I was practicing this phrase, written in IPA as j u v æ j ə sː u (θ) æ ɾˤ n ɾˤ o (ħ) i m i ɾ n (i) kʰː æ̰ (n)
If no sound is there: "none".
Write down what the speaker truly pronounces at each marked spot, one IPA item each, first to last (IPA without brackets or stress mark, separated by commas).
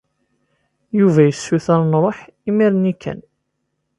θ, ħ, i, n